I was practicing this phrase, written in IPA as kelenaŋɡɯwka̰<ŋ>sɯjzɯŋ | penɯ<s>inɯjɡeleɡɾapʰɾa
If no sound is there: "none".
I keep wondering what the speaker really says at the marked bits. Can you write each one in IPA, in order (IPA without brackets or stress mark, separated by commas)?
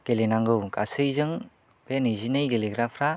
none, z